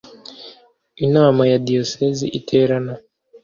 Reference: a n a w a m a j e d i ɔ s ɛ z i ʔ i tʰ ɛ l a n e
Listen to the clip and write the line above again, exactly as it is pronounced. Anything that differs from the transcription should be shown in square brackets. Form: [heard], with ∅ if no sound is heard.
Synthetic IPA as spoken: [i] n a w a m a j [a] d i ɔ s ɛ z i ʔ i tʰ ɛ [ɾ] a n [a]